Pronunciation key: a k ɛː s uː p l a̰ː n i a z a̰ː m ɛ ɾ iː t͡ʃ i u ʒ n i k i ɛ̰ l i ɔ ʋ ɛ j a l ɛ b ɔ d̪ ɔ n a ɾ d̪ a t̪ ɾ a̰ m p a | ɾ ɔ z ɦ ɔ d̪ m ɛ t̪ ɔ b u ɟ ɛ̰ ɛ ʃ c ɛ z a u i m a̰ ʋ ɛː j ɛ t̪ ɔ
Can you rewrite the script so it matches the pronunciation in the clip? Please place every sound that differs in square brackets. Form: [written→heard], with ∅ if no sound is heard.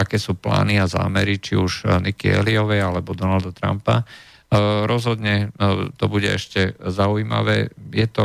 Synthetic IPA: a k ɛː s uː p l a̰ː n i a z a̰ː m ɛ ɾ [iː→i] t͡ʃ i u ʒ n i k i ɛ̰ l i ɔ ʋ ɛ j a l ɛ b ɔ d̪ ɔ n a [ɾ→l] d̪ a t̪ ɾ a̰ m p a | ɾ ɔ z ɦ ɔ d̪ [m→ɲ] ɛ t̪ ɔ b u ɟ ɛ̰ ɛ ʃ c ɛ z a u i m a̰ ʋ ɛː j ɛ t̪ ɔ